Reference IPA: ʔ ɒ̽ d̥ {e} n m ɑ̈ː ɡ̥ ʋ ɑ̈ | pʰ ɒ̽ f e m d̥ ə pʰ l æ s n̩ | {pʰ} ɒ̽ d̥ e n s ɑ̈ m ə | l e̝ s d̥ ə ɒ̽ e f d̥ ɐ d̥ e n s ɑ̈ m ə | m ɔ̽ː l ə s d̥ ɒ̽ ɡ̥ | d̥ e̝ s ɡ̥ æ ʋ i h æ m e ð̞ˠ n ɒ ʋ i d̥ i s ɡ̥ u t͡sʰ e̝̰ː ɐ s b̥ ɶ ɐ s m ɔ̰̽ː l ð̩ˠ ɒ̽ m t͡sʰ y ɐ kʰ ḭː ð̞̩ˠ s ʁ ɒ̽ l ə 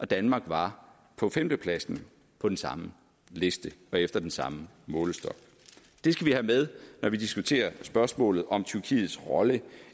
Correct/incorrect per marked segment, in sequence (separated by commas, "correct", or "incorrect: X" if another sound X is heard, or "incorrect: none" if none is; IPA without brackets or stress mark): incorrect: æ, correct